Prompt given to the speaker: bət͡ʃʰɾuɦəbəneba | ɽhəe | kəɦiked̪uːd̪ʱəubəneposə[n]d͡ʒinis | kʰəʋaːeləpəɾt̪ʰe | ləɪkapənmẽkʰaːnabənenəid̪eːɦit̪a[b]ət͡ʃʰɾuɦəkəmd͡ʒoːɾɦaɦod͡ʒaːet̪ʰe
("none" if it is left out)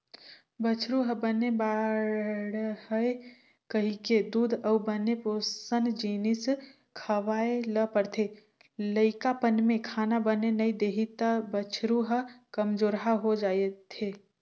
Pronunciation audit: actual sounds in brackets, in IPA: n, b

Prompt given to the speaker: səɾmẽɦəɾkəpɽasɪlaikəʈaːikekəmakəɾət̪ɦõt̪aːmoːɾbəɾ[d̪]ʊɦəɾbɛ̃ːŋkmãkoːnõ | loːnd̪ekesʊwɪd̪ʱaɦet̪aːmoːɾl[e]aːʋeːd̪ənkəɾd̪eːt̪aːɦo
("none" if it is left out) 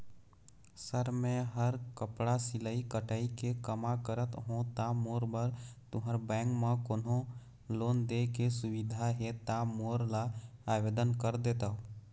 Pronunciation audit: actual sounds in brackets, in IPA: t̪, a

